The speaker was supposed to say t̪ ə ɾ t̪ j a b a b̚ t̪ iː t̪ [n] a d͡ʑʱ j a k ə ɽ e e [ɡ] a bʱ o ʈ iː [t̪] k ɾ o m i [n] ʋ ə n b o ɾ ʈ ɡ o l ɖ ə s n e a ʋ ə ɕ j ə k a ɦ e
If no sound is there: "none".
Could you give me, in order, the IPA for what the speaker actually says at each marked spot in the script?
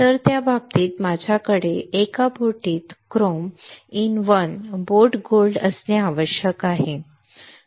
m, k, t̪, n

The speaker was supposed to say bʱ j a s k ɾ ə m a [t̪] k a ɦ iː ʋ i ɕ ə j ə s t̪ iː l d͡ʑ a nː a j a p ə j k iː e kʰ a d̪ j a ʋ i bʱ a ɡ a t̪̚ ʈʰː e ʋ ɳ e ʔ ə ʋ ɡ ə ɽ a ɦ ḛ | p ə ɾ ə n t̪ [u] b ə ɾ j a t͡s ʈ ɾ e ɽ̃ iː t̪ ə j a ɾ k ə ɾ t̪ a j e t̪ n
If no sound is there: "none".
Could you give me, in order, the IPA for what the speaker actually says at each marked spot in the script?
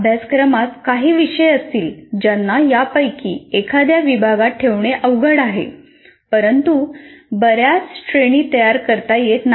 t̪, u

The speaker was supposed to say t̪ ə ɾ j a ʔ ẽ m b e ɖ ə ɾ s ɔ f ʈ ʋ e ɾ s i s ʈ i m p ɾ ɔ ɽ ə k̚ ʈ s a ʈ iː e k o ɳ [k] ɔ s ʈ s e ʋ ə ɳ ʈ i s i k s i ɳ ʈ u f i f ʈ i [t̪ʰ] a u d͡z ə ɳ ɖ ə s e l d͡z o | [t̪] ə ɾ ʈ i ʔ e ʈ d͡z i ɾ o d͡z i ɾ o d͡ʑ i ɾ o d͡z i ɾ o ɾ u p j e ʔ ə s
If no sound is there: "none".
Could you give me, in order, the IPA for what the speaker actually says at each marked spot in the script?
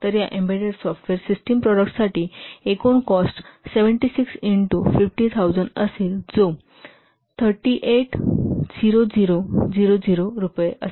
k, t̪ʰ, t̪ʰ

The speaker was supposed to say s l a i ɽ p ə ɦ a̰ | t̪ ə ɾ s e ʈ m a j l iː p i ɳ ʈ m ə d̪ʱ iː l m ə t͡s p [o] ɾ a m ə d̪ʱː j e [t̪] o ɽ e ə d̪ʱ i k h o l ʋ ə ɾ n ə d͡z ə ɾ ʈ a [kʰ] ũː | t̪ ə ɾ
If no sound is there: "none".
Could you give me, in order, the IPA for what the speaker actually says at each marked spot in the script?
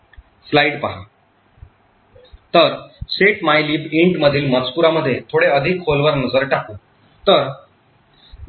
u, t̪ʰ, k

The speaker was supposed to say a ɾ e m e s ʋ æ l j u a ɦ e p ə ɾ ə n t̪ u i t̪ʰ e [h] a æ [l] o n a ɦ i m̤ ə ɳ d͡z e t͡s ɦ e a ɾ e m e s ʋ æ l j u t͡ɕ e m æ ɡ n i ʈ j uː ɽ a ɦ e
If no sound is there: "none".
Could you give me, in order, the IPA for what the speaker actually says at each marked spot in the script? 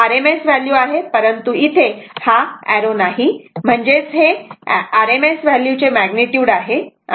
h, ɾ

